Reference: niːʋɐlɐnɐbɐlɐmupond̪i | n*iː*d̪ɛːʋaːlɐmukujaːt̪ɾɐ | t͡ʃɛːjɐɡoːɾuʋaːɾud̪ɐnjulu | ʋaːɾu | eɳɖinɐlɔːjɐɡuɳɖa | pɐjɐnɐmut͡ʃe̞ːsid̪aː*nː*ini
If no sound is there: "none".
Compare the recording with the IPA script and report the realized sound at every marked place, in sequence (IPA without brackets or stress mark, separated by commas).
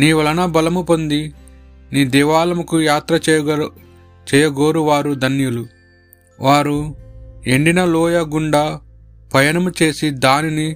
iː, n